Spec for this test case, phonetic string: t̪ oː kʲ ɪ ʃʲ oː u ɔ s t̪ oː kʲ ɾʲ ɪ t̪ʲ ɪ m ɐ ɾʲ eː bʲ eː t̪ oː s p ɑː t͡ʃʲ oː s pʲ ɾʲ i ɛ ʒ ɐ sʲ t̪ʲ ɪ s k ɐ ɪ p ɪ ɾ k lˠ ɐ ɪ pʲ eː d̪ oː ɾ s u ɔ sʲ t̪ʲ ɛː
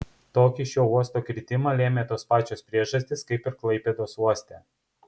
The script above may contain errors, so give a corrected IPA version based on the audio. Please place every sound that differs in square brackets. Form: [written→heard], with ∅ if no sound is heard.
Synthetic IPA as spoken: t̪ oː kʲ ɪ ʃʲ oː u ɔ s t̪ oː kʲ ɾʲ ɪ t̪ʲ ɪ m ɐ [ɾʲ→lʲ] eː [bʲ→mʲ] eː t̪ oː s p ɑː t͡ʃʲ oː s pʲ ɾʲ i ɛ ʒ ɐ sʲ t̪ʲ ɪ s k ɐ ɪ p ɪ ɾ k lˠ ɐ ɪ pʲ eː d̪ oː [ɾ→∅] s u ɔ sʲ t̪ʲ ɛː